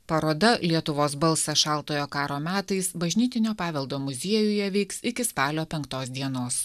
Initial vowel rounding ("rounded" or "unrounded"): unrounded